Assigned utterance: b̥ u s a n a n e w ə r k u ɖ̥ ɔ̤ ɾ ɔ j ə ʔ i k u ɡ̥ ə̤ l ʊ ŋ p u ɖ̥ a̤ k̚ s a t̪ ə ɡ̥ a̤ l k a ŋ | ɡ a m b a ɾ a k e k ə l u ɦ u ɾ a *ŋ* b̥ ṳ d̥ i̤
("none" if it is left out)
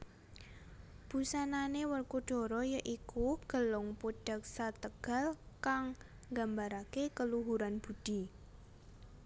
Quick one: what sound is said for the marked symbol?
n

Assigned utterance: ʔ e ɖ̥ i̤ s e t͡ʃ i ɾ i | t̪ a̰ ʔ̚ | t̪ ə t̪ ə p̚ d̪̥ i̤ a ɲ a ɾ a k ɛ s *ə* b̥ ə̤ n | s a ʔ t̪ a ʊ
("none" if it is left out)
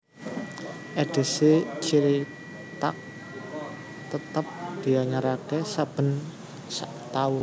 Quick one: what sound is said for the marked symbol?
a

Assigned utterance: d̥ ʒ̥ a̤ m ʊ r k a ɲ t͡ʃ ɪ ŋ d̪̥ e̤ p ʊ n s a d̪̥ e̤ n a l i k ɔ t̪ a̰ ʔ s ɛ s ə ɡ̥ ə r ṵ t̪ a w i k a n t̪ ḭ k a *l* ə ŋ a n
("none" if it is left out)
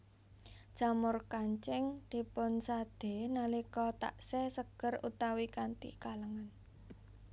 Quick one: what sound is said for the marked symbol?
l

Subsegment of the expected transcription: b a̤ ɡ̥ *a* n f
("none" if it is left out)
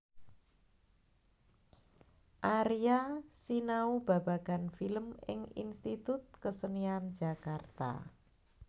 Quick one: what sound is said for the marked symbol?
a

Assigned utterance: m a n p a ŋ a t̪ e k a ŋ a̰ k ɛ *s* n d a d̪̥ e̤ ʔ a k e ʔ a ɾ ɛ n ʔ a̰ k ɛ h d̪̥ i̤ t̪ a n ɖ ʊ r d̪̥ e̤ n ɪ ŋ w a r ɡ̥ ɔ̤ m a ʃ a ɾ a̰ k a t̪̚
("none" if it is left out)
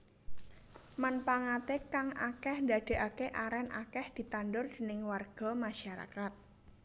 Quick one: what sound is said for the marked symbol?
h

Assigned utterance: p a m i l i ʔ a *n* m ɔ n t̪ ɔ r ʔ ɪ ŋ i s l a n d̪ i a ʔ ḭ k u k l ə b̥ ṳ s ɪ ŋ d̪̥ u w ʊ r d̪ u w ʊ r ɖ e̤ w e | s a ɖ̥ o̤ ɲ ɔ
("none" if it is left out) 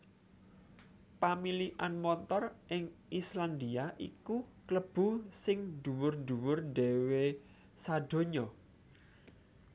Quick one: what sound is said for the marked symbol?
n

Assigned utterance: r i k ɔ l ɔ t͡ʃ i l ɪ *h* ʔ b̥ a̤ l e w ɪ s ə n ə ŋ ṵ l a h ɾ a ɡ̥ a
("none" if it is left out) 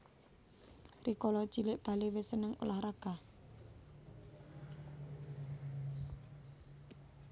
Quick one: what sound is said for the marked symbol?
none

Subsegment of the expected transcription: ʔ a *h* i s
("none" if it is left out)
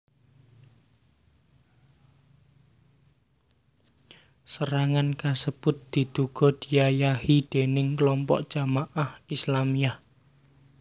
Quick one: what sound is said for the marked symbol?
h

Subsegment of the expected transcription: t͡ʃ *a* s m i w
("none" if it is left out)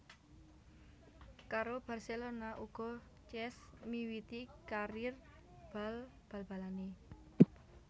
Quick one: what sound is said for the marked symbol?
ɛ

